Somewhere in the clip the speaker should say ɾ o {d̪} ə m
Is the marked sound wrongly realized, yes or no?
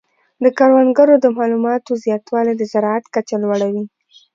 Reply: no